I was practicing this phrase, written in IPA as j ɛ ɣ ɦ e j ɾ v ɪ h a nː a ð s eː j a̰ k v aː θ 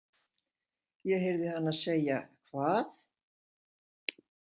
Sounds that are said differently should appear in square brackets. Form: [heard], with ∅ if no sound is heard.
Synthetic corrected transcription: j ɛ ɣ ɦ e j ɾ [ð] ɪ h a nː a ð s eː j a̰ [kʰ] v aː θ